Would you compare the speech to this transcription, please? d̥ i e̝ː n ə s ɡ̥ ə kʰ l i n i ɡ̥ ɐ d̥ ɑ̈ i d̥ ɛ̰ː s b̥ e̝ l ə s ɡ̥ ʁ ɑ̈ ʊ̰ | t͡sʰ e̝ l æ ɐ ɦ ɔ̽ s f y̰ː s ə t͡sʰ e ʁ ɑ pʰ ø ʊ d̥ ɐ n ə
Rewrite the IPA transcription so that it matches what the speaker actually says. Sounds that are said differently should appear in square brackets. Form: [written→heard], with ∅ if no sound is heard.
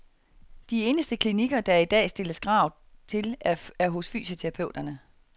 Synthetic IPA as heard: d̥ i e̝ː n ə s [ɡ̥→d̥] ə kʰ l i n i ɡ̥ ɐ d̥ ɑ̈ i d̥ ɛ̰ː s [b̥→d̥] e̝ l ə s ɡ̥ ʁ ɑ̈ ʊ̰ | t͡sʰ e̝ l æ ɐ ɦ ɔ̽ s f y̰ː s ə t͡sʰ e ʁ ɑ pʰ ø ʊ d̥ ɐ n ə